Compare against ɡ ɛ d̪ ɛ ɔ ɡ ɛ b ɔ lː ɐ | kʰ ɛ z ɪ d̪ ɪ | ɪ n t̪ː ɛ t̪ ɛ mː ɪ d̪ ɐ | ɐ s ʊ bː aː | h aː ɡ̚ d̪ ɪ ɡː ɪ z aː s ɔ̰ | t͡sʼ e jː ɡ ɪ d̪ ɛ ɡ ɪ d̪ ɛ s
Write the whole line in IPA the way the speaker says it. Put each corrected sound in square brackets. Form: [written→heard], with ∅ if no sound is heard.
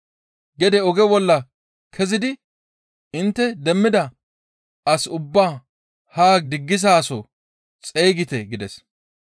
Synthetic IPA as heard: ɡ ɛ d̪ ɛ ɔ ɡ ɛ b ɔ lː ɐ | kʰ ɛ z ɪ d̪ ɪ | ɪ n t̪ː ɛ [t̪→d̪] ɛ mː ɪ d̪ ɐ | ɐ s ʊ bː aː | h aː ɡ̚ d̪ ɪ ɡː ɪ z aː s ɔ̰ | t͡sʼ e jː ɡ ɪ [d̪→t̪] ɛ ɡ ɪ d̪ ɛ s